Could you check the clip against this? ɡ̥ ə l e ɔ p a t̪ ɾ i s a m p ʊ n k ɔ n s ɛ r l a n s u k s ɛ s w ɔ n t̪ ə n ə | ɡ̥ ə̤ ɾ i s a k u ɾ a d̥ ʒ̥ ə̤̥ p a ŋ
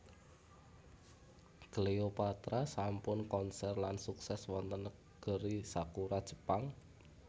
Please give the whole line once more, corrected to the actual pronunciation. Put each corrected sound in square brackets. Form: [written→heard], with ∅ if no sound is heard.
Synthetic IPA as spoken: ɡ̥ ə l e [ɔ→o] p a t̪ ɾ [i→a] s a m p ʊ n k ɔ n s ɛ r l a n s u k s ɛ s w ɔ n t̪ ə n ə | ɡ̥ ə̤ ɾ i s a k u ɾ a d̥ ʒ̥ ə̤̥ p a ŋ